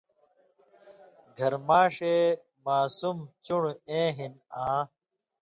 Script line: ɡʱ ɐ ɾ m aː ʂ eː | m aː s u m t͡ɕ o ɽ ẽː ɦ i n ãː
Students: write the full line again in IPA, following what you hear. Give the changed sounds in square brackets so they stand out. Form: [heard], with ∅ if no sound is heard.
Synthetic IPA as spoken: ɡʱ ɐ ɾ m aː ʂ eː | m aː s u m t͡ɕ [u] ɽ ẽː ɦ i n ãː